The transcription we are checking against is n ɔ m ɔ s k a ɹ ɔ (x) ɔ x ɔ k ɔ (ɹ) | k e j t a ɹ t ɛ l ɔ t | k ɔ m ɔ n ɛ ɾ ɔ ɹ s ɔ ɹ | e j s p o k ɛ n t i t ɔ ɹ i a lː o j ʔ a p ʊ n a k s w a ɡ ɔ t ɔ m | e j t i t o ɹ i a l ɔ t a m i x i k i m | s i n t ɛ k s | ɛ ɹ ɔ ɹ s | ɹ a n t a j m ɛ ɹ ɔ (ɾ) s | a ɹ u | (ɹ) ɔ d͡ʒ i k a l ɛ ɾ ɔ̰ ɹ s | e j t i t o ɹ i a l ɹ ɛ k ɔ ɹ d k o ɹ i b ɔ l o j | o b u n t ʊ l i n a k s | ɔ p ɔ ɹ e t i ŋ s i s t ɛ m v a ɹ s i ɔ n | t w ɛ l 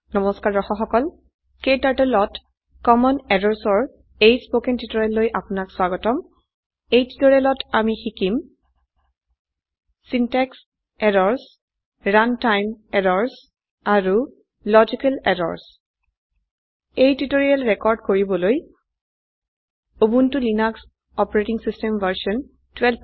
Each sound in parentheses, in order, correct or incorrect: correct, incorrect, incorrect, incorrect

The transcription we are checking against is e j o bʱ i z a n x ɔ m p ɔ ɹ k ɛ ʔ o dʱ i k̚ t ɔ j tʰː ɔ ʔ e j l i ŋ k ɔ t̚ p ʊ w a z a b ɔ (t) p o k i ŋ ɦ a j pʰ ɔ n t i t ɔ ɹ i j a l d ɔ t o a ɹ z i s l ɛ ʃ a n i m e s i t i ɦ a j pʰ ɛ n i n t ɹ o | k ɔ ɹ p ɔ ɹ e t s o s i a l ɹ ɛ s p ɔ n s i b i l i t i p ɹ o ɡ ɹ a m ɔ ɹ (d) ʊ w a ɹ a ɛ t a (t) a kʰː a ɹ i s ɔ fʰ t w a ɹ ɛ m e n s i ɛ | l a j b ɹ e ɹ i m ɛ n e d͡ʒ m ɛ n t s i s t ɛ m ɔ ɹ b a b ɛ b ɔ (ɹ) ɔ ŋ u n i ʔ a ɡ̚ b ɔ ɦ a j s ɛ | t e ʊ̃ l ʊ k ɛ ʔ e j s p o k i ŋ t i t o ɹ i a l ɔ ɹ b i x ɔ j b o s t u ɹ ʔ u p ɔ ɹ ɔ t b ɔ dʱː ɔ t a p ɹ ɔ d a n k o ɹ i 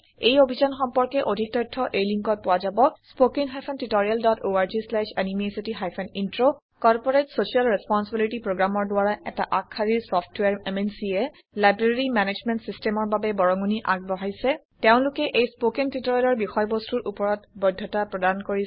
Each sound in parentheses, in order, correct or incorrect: incorrect, correct, incorrect, correct

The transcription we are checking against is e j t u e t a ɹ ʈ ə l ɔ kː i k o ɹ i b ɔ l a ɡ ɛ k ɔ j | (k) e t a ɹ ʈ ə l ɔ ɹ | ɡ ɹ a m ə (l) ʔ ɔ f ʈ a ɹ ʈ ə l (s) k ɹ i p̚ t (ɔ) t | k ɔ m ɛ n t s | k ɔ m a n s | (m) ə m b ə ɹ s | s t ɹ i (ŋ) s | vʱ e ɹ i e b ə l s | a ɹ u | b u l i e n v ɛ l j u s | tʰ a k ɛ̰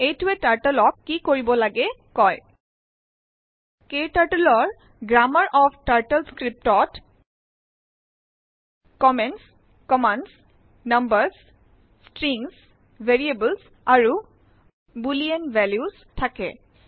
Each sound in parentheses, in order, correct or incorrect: correct, incorrect, correct, correct, incorrect, correct

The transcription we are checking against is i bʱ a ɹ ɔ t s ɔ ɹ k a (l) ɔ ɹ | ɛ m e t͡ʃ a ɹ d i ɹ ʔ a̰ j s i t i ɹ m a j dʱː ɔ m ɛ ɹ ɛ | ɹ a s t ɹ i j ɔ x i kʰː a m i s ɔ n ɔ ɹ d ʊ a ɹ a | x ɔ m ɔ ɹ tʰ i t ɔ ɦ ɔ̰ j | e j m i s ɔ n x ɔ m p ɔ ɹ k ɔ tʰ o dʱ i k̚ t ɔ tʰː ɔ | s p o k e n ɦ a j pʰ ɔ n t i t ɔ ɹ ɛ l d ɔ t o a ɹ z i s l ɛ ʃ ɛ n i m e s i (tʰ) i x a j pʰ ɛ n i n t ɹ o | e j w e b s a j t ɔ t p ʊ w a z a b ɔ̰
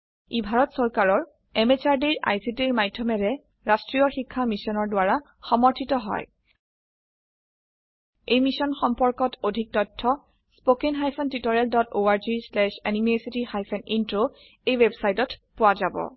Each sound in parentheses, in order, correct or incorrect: incorrect, incorrect

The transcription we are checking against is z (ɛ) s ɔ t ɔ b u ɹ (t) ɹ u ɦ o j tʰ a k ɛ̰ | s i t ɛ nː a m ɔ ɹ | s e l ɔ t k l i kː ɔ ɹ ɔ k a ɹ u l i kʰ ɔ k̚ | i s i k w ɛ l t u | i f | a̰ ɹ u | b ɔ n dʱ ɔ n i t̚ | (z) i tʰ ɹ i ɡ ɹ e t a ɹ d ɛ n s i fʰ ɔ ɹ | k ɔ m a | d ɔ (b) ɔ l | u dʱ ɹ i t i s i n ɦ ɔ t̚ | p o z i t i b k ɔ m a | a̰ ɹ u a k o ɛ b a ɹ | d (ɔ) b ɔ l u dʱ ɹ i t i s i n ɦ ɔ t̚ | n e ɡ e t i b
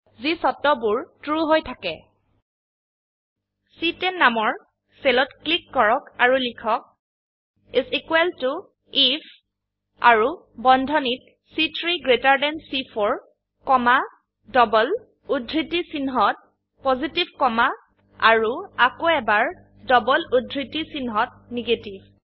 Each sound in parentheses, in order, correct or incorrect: incorrect, correct, incorrect, correct, correct

